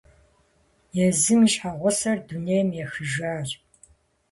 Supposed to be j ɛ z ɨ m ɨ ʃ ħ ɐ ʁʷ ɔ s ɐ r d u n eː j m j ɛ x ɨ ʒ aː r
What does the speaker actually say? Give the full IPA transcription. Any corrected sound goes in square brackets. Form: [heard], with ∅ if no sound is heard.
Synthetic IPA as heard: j ɛ z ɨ m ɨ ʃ ħ [a] ʁʷ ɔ s ɐ r d u n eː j m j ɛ x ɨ ʒ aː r